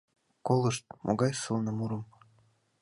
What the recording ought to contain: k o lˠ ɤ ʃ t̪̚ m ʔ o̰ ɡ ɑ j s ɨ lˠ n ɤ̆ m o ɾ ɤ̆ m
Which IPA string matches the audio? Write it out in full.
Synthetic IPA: k o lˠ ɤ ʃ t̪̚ m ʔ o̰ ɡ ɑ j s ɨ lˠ n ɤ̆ m u ɾ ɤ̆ m

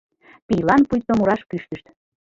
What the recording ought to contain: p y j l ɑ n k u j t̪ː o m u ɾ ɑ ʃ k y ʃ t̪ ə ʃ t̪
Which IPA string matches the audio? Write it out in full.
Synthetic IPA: p i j l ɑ n p u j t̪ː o m u ɾ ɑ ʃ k y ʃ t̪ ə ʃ t̪

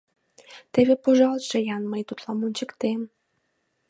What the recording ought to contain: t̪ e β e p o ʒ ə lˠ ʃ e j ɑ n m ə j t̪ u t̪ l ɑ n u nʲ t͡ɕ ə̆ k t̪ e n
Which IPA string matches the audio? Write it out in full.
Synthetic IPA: t̪ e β e p o ʒ ɑ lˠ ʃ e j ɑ n m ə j t̪ u t̪ l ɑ m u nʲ t͡ɕ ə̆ k t̪ e m

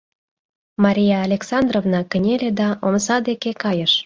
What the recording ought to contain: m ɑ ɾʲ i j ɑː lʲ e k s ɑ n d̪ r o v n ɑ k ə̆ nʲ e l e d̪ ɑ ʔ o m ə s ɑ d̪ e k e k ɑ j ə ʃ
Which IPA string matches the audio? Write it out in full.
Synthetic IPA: m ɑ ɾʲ i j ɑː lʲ e k s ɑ n d̪ r o v n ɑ k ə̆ nʲ e l e d̪ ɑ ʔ o m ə s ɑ d̪ e k e k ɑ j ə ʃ

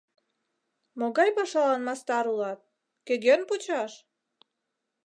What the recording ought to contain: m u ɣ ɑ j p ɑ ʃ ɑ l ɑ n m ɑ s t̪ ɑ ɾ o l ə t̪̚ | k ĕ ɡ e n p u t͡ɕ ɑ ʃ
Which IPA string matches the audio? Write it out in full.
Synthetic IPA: m o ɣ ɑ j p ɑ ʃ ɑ l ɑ n m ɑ s t̪ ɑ ɾ u l ɑ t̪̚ | k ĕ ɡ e n p u t͡ɕ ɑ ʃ

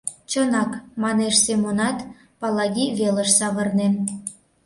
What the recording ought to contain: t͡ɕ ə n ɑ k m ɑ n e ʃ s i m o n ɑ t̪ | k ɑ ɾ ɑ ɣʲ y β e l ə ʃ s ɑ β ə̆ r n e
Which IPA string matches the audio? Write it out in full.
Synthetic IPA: t͡ɕ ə n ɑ k m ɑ n e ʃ s e m o n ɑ t̪ | p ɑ l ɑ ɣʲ i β e l ə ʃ s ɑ β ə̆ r n e

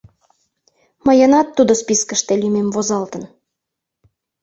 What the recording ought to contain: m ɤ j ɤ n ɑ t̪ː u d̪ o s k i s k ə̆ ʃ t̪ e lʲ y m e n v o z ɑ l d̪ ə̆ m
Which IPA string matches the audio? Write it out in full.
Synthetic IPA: m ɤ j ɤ n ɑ t̪ː u d̪ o s p i s k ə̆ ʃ t̪ e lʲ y m e m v o z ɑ l t̪ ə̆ n

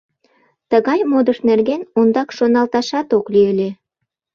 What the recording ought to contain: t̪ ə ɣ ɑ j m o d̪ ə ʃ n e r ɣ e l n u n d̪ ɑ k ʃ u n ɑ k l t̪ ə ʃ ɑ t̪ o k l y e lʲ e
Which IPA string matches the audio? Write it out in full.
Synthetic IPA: t̪ ə ɣ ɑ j m o d̪ ə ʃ n e r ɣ e n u n d̪ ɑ k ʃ o n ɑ l t̪ ɑ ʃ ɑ t̪ o k l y e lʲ e

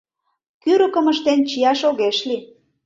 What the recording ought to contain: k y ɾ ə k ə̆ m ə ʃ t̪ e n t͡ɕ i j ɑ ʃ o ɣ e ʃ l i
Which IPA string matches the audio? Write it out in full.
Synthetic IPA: k y ɾ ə k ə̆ m ə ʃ t̪ e n t͡ɕ i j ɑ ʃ o ɣ e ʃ l i

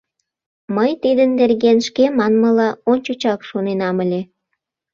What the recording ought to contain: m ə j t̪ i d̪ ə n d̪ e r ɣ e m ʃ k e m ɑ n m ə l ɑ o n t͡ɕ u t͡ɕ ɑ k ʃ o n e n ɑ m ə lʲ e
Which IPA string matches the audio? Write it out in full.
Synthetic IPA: m ə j t̪ i d̪ ə n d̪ e r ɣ e n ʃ k e m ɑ n m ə l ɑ o n t͡ɕ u t͡ɕ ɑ k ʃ o n e n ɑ m ə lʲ e

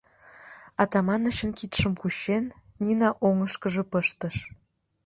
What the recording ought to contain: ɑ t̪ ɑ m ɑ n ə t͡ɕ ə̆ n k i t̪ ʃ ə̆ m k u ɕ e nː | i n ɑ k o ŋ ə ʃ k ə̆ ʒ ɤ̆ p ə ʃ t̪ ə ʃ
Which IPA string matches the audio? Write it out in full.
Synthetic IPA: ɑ t̪ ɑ m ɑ n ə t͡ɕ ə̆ n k i t̪ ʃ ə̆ m k u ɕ e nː | i n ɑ ʔ o ŋ ə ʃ k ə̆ ʒ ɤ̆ p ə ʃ t̪ ə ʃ

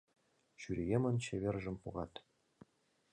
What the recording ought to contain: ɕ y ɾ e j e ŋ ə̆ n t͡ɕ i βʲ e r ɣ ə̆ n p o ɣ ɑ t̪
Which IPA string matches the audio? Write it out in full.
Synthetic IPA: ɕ y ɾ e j e m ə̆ n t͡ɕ e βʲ e r ʒ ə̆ m p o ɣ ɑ t̪

